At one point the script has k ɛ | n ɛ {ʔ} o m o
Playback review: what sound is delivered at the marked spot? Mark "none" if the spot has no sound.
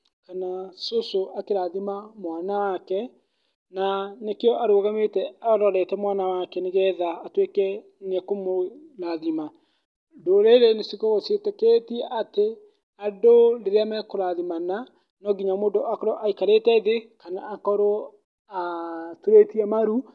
k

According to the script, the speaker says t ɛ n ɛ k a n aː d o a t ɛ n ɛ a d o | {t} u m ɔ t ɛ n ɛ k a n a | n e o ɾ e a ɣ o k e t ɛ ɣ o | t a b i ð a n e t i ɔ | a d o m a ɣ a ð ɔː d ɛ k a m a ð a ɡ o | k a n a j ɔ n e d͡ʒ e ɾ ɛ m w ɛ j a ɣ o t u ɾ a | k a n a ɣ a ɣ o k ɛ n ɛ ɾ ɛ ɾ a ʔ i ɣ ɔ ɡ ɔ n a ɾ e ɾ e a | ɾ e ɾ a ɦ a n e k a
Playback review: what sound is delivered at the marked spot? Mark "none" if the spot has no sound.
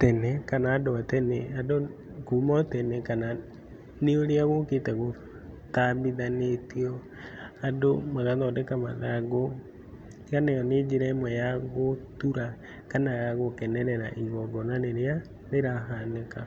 k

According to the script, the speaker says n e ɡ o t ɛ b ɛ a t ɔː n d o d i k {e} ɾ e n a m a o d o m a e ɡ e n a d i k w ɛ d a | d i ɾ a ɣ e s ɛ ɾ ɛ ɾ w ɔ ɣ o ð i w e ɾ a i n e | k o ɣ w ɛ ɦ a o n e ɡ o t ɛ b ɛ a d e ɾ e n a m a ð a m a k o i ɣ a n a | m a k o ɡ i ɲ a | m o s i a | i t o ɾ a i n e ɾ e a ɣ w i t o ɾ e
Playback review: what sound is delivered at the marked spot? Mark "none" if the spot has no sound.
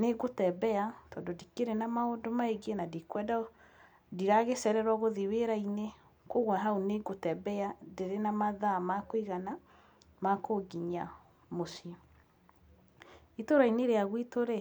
e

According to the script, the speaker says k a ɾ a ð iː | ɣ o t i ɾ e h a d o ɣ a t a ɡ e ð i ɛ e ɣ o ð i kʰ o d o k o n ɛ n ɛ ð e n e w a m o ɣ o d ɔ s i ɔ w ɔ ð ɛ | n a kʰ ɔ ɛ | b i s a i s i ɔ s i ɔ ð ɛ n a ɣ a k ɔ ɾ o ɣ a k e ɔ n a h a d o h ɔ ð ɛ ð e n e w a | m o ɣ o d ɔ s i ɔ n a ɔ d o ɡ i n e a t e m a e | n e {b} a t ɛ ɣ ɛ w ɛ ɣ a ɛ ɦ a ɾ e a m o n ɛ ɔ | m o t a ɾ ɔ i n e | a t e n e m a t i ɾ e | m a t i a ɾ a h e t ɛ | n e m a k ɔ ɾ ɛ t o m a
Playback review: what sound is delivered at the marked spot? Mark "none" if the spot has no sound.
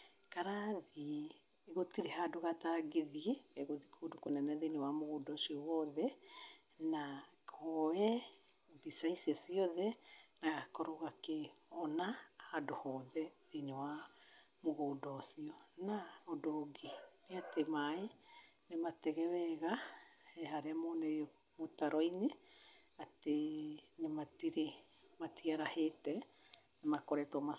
m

